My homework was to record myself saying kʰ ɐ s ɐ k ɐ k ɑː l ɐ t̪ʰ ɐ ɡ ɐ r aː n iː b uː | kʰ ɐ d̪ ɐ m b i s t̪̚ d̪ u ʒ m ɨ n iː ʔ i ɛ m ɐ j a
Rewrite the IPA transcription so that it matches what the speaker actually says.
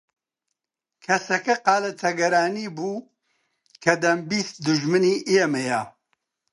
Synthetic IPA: kʰ ɐ s ɐ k ɐ q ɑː l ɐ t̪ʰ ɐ ɡ ɐ ɾ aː n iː b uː | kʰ ɐ d̪ ɐ m b i s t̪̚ d̪ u ʒ m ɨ n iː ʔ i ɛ m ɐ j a

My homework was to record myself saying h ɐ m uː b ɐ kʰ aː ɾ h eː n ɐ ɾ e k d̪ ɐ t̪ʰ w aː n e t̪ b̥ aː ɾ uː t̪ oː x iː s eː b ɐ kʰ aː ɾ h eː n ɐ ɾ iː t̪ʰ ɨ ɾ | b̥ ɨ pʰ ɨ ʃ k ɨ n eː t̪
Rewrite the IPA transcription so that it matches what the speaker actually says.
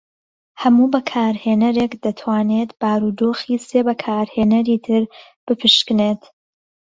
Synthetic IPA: h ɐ m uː b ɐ kʰ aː ɾ h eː n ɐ ɾ e k d̪ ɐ t̪ʰ w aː n e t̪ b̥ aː ɾ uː d̪ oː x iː s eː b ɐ kʰ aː ɾ h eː n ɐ ɾ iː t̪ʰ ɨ ɾ | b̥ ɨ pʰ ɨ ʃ k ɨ n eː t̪

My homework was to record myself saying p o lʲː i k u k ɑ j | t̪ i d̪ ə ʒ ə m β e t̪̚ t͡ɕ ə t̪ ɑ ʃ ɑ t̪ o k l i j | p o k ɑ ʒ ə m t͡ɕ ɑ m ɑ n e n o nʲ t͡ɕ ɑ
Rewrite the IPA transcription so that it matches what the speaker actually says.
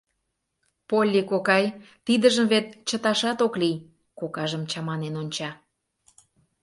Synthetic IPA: p o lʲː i k o k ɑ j | t̪ i d̪ ə ʒ ə m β e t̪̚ t͡ɕ ə t̪ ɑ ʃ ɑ t̪ o k l i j | k o k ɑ ʒ ə m t͡ɕ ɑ m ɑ n e n o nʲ t͡ɕ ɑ

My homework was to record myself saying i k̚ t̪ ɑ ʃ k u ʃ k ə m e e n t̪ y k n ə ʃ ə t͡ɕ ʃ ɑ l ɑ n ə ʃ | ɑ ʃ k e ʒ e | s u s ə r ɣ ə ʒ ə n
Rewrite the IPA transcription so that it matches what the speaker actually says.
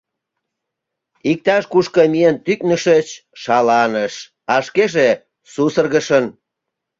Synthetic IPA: i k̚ t̪ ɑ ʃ k u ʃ k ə m i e n t̪ y k n ə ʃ ə t͡ɕ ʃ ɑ l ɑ n ə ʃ | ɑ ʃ k e ʒ e | s u s ə r ɣ ə ʃ ə n

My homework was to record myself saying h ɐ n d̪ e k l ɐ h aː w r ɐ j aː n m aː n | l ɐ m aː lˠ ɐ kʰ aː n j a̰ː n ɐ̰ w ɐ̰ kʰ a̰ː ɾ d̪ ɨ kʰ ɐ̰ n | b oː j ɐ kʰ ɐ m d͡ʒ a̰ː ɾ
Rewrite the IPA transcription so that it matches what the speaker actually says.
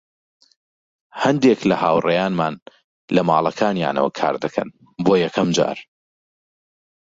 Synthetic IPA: h ɐ n d̪ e k l ɐ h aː w r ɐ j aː n m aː n | l ɐ m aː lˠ ɐ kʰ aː n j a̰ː n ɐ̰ w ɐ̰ kʰ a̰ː ɾ d̪ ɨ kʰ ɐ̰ n | b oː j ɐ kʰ ɐ m d͡ʒ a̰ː ɾ

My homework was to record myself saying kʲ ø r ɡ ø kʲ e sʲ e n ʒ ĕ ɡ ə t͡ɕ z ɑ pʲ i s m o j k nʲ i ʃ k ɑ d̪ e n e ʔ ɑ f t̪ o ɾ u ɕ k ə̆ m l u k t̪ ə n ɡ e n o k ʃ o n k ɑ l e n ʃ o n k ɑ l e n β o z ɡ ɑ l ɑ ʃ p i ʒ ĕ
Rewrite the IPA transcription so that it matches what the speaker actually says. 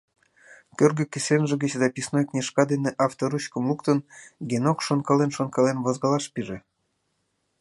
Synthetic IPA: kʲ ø r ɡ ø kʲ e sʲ e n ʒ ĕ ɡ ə t͡ɕ z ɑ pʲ i s n o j k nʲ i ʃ k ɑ d̪ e n e ʔ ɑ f t̪ o ɾ u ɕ k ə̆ m l u k t̪ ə n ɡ e n o k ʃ o n k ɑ l e n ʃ o n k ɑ l e n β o z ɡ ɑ l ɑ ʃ p i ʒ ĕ

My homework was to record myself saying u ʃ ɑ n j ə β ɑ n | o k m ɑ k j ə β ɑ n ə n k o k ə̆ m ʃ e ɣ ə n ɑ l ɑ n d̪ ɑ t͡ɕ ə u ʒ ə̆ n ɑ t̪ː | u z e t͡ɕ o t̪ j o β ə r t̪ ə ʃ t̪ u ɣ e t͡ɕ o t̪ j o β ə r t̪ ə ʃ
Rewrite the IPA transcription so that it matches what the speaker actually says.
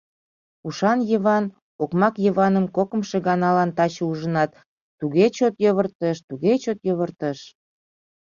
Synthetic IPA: u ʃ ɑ n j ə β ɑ n | o k m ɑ k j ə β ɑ n ə m k o k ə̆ m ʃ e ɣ ɑ n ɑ l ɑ n t̪ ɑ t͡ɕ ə u ʒ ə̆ n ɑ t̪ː | u ɣ e t͡ɕ o t̪ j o β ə r t̪ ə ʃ t̪ u ɣ e t͡ɕ o t̪ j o β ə r t̪ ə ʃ

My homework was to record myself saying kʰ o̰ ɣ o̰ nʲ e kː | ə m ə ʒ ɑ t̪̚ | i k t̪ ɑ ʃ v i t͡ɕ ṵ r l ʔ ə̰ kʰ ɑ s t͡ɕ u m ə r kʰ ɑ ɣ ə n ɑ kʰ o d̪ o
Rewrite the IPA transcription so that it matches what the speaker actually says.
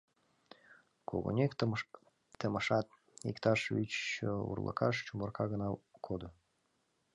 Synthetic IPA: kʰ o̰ ɣ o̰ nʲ e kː | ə m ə ʃ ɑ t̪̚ | i k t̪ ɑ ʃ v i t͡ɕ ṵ r l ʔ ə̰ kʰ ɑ ʃ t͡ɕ u m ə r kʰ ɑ ɣ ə n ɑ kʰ o d̪ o

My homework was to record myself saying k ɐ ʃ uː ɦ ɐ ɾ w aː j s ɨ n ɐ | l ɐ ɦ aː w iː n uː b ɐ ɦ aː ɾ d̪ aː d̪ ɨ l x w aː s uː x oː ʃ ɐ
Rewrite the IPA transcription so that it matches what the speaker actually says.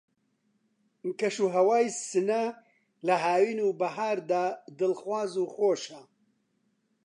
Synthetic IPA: k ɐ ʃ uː ɦ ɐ w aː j s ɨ n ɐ | l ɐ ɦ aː w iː n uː b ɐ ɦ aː ɾ d̪ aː d̪ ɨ l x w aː z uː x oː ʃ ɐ

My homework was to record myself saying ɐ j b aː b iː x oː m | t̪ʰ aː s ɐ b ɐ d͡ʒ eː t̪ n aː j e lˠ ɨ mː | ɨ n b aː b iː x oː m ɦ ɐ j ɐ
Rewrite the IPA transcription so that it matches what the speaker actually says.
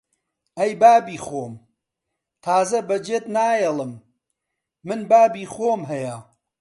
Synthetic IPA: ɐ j b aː b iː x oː m | t̪ʰ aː z ɐ b ɐ d͡ʒ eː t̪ n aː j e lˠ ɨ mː | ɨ n b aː b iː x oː m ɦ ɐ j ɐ

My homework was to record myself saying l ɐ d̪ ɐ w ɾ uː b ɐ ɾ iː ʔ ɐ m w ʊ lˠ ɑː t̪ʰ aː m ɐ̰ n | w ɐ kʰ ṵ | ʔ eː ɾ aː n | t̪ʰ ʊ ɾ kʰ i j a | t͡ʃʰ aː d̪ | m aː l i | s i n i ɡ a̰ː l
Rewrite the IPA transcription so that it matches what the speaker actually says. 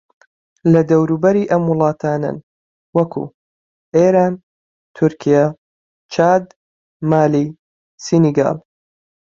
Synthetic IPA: l ɐ d̪ ɐ w ɾ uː b ɐ ɾ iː ʔ ɐ m w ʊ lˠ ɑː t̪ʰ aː n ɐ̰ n | w ɐ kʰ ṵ | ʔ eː ɾ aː n | t̪ʰ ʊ ɾ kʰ i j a | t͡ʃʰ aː d̪ | m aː l i | s i n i ɡ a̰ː l

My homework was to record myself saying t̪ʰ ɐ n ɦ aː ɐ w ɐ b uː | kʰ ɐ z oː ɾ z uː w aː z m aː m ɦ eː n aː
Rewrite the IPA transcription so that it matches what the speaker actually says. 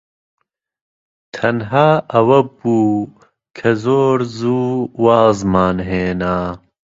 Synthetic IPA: t̪ʰ ɐ n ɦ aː ɐ w ɐ b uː | kʰ ɐ z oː ɾ z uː w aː z m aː n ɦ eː n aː

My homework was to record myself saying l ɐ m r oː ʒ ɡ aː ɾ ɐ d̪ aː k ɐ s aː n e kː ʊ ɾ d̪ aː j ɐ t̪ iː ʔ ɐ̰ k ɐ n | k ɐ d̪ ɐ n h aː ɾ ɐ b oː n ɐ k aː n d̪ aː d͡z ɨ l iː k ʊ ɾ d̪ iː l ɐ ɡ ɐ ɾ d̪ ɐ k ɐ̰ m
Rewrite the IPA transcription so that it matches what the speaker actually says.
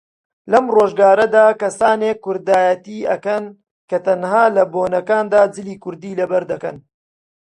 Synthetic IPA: l ɐ m r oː ʒ ɡ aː ɾ ɐ d̪ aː k ɐ s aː n e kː ʊ ɾ d̪ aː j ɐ t̪ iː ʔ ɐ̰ k ɐ n | k ɐ t̪ ɐ n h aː l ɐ b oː n ɐ k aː n d̪ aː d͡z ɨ l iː k ʊ ɾ d̪ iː l ɐ b ɐ ɾ d̪ ɐ k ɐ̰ n

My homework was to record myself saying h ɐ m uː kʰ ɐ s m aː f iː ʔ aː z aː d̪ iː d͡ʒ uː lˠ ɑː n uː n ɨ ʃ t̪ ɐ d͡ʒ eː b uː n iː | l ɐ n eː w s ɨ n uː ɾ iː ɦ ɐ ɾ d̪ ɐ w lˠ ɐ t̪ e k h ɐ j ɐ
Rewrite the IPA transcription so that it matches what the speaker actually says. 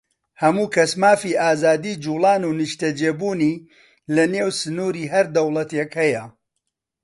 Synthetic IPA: h ɐ m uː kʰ ɐ s m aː f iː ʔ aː z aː d̪ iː d͡ʒ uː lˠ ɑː n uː n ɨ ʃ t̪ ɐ d͡ʒ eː b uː n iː | l ɐ n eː w s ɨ n uː ɾ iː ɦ ɐ ɾ d̪ ɐ w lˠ ɐ t̪ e k h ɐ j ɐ

